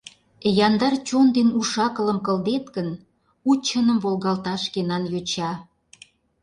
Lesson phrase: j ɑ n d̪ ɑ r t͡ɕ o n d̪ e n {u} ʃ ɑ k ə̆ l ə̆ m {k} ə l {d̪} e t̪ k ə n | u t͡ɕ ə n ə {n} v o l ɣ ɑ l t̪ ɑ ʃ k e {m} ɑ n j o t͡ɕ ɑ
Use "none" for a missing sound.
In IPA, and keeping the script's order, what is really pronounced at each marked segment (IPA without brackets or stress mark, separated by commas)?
u, k, d̪, m, n